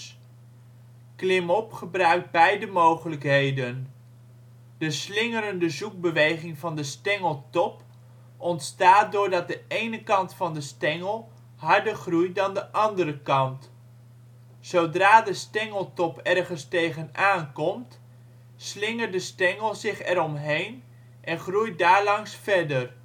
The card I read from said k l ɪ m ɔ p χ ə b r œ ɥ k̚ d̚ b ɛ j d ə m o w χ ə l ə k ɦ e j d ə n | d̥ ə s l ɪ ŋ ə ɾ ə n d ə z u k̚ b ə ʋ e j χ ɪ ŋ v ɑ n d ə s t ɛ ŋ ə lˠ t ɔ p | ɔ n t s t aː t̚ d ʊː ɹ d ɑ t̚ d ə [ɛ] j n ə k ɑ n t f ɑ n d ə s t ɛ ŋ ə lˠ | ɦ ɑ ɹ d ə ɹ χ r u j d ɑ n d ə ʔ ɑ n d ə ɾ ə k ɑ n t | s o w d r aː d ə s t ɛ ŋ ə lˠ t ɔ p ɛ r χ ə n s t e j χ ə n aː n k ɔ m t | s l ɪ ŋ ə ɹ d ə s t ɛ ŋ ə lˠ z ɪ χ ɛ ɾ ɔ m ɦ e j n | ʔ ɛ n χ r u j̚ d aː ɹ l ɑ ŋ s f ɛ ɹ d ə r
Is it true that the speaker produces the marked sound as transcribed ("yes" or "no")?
no